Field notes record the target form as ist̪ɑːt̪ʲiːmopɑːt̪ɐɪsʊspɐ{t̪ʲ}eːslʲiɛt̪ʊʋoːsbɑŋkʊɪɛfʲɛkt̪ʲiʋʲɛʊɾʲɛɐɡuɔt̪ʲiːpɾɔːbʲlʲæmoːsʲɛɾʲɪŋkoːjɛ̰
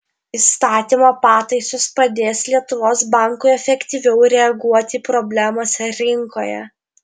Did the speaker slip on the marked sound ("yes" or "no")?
yes